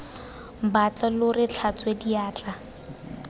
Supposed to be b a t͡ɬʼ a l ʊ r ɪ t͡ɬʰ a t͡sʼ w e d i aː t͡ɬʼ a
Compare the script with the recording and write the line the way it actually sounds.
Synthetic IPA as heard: b a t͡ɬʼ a l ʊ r ɪ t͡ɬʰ a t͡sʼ w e d i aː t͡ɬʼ a